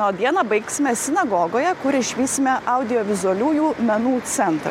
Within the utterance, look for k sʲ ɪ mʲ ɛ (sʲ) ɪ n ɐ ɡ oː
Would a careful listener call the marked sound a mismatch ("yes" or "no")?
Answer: no